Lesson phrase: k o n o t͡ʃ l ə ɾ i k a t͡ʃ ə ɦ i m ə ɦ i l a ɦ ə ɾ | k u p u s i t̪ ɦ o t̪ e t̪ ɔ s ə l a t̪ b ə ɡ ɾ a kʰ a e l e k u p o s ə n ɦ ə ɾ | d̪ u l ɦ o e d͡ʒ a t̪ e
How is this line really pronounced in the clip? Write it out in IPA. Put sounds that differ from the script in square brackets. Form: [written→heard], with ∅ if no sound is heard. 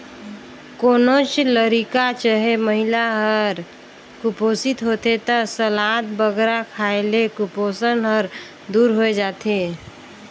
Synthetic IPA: k o n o t͡ʃ l ə ɾ i k a t͡ʃ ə ɦ [i→e] m ə ɦ i l a ɦ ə ɾ | k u p [u→o] s i t̪ ɦ o t̪ e t̪ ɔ s ə l a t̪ b ə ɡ ɾ a kʰ a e l e k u p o s ə n ɦ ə ɾ | d̪ u [l→ɾ] ɦ o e d͡ʒ a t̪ e